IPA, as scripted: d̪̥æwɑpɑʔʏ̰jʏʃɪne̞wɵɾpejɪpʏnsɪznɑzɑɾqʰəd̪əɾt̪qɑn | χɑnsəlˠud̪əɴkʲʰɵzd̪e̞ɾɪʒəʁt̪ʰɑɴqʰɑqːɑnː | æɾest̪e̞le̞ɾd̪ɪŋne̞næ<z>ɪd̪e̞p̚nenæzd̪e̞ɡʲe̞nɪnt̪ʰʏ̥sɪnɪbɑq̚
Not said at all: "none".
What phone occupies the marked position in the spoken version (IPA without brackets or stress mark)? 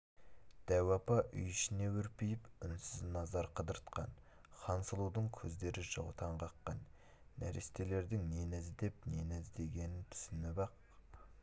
z